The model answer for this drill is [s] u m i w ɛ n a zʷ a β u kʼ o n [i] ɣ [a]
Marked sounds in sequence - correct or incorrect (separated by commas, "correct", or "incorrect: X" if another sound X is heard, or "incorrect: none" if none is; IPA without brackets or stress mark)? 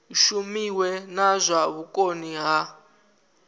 incorrect: ʃ, correct, correct